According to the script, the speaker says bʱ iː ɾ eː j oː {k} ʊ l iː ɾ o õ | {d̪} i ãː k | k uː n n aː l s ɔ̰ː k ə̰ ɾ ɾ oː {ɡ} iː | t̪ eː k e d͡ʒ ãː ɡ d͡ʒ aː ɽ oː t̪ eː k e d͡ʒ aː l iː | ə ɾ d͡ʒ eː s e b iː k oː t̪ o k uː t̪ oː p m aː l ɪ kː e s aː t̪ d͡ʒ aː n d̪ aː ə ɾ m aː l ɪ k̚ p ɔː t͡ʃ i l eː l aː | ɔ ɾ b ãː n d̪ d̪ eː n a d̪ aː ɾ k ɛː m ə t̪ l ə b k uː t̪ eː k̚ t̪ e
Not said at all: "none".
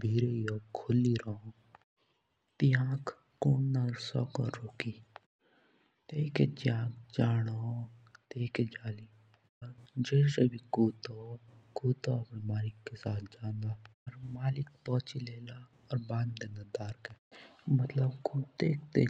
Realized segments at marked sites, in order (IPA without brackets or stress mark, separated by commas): kʰ, t̪, k